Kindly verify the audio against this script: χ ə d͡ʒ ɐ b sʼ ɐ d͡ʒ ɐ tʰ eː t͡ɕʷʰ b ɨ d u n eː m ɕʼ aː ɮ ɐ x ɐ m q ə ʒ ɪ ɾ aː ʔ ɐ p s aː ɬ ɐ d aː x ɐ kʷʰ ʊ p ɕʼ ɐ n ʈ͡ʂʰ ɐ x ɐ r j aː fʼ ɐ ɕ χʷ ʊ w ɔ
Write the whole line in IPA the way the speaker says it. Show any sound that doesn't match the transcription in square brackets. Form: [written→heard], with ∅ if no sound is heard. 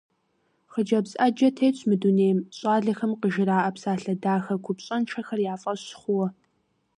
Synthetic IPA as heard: χ ə d͡ʒ ɐ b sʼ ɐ d͡ʒ ɐ tʰ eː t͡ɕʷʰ [b→m] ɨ d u n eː m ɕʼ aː ɮ ɐ x ɐ m q ə ʒ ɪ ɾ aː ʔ ɐ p s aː ɬ ɐ d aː x ɐ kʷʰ ʊ p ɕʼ ɐ n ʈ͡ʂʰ ɐ x ɐ r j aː fʼ ɐ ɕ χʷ ʊ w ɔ